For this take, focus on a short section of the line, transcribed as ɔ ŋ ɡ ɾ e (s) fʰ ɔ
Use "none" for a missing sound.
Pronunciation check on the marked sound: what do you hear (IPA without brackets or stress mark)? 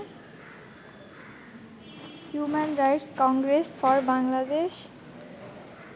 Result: s